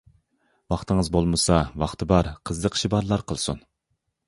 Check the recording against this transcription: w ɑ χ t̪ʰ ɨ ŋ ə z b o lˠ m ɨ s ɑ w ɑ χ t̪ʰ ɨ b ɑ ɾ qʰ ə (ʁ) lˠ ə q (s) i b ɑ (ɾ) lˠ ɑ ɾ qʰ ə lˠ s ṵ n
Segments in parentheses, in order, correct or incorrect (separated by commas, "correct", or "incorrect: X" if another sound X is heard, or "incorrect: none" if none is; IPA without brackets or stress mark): incorrect: z, incorrect: ʃ, correct